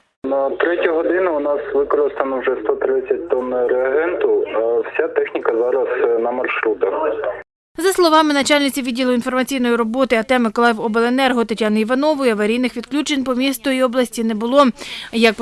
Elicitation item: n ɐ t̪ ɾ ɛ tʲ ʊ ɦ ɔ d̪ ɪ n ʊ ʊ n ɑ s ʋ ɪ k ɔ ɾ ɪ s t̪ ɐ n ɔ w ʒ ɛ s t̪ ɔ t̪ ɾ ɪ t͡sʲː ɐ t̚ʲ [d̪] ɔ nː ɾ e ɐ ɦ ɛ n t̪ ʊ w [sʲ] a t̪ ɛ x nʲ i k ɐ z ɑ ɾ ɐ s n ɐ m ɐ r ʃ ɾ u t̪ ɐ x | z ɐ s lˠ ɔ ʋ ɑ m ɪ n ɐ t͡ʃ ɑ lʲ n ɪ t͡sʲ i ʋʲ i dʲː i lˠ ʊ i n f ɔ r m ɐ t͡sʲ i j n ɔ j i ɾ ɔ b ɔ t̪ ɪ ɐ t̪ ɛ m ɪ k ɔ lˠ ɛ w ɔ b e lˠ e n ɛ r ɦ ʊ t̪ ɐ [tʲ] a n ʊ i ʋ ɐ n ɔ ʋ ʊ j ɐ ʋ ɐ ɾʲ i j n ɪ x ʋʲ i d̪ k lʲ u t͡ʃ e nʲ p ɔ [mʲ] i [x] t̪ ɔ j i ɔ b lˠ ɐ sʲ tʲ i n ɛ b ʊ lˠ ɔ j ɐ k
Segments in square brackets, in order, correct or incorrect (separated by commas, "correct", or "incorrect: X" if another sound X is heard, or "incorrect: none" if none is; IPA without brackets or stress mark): incorrect: t̪, correct, correct, correct, incorrect: s